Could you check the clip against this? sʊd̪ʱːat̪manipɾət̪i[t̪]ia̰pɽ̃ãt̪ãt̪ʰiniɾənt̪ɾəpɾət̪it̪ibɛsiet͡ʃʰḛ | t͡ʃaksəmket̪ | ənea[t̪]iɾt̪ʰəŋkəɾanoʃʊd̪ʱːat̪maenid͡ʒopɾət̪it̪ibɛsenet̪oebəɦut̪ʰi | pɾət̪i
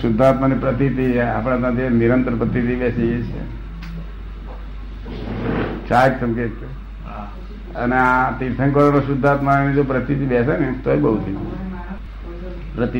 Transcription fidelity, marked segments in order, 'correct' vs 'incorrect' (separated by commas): correct, correct